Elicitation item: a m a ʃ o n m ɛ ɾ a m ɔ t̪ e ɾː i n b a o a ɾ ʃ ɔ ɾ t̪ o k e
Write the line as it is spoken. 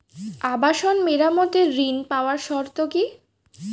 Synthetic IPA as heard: a b a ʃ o n m e ɾ a m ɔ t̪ e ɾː i n p a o a ɾ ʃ ɔ ɾ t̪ o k i